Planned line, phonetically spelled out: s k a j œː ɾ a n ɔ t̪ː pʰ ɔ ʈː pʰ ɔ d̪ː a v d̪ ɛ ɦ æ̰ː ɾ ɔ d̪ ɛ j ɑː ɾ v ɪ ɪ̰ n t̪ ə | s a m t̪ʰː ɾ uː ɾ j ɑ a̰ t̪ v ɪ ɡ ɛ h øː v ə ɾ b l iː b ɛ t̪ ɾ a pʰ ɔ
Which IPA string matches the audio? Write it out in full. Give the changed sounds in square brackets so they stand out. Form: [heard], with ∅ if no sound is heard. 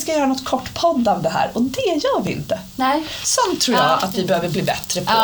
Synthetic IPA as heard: s k a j œː ɾ a n ɔ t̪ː [kʰ] ɔ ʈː pʰ ɔ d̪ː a v d̪ ɛ ɦ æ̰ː ɾ ɔ d̪ ɛ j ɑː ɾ v ɪ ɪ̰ n t̪ ə | s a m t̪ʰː ɾ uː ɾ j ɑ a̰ t̪ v ɪ [b] ɛ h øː v ə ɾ b l iː b ɛ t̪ ɾ [ə] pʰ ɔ